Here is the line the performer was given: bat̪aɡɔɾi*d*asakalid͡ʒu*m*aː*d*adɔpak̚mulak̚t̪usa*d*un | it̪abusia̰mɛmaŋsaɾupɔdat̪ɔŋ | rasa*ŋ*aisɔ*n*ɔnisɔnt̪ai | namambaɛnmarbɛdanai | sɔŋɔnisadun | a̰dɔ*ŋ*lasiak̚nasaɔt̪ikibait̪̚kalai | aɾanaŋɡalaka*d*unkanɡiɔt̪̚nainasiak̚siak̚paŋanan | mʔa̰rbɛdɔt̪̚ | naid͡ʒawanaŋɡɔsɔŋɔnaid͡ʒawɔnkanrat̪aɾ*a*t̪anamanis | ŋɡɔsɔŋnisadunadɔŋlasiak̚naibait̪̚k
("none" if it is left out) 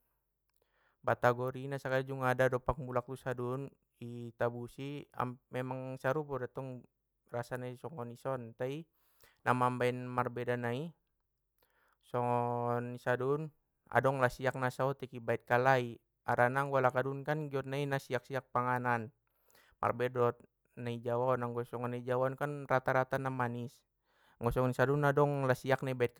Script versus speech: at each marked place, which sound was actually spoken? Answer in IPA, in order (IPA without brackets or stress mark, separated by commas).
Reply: n, ŋ, d, d, n, ŋ, ŋ, d, a